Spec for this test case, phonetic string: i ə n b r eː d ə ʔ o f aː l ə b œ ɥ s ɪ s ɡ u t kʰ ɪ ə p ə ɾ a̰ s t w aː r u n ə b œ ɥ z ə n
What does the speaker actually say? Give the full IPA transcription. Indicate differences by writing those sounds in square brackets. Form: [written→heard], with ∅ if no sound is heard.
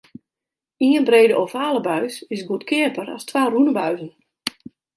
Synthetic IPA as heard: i ə n b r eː d ə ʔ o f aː l ə b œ ɥ s ɪ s ɡ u t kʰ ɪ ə p ə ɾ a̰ s t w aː r u n ə b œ ɥ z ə n